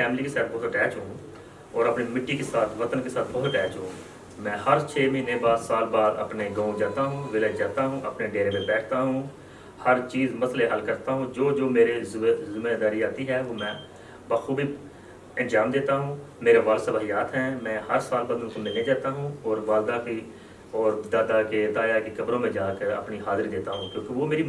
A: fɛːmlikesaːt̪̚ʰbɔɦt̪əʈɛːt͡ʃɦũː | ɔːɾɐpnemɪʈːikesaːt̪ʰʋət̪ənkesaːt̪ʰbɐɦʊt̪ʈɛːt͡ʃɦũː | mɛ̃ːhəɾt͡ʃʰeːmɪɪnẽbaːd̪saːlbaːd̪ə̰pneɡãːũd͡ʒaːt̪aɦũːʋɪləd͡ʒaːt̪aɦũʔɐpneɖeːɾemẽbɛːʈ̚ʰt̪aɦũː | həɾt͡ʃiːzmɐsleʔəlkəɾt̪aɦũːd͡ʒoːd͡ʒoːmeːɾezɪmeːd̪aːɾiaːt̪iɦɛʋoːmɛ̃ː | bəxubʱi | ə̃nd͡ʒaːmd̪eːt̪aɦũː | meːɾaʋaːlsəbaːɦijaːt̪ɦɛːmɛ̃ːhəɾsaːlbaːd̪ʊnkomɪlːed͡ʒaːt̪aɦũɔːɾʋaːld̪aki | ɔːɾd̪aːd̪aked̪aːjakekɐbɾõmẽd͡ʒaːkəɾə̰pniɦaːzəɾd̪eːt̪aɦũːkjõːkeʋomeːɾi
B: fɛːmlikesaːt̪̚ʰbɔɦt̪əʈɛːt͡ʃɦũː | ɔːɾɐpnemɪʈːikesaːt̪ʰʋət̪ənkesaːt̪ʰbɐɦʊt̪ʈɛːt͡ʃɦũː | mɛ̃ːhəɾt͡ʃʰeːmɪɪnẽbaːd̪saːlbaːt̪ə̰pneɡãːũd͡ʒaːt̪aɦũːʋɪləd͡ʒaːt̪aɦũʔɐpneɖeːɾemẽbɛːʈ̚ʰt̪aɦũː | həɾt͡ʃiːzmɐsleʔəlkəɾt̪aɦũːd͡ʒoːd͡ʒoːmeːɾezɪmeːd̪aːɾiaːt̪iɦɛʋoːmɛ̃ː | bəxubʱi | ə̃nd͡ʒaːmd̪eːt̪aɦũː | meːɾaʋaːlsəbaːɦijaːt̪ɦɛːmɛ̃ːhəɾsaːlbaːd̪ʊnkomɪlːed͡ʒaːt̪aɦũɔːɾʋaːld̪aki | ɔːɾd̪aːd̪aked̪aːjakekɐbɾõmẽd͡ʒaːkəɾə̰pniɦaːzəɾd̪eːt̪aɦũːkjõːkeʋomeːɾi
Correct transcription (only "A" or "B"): A